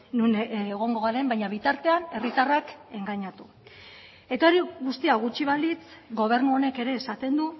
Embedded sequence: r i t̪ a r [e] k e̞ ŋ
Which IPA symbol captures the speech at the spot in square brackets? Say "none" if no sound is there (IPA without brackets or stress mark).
a